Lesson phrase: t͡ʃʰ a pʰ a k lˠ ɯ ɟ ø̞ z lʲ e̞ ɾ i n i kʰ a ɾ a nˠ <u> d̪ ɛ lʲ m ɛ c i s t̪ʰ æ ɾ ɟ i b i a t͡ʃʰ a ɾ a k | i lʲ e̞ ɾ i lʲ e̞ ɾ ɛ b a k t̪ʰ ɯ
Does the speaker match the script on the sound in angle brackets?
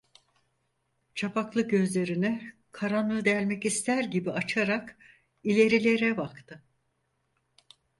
no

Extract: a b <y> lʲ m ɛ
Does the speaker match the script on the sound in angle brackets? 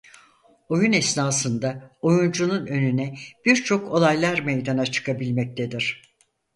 no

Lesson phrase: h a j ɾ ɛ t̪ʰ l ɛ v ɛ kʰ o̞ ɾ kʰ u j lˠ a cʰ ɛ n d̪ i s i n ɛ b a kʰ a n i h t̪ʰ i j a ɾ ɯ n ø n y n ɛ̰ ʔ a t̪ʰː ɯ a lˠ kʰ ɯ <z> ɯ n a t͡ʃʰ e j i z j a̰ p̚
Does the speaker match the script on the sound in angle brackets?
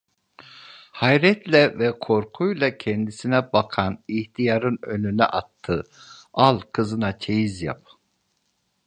yes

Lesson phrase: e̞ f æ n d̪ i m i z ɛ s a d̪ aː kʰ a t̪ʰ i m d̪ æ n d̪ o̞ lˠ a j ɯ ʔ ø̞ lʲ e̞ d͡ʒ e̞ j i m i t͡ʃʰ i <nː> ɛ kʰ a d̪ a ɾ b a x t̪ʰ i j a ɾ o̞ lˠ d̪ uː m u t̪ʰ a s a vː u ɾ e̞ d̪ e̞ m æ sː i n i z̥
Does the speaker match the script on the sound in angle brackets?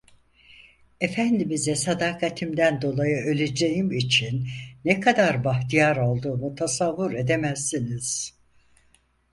yes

